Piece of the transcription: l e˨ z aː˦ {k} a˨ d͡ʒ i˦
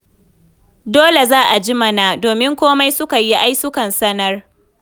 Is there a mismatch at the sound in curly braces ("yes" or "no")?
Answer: yes